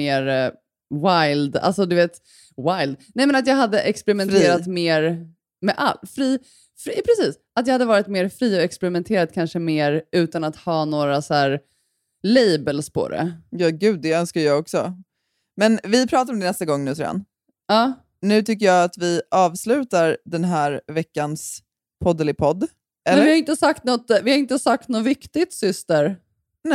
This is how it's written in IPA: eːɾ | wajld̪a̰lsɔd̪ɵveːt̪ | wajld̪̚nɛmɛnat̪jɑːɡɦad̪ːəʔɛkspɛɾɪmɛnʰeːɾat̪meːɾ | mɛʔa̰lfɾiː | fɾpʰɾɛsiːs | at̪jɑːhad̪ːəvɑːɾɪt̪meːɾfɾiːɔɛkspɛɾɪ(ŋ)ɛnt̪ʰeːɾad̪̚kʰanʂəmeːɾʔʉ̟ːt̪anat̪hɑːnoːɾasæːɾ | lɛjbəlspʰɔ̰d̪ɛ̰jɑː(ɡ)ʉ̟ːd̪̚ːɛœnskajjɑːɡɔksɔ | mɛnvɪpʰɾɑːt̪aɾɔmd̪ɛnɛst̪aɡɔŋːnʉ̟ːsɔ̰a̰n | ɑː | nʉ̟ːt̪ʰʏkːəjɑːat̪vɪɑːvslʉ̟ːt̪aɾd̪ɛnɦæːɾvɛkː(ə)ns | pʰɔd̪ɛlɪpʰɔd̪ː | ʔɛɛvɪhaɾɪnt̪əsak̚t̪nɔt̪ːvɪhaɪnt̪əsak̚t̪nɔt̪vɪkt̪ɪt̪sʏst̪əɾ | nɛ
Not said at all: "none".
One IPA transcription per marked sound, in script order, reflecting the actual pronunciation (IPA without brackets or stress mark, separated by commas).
m, ɡ, a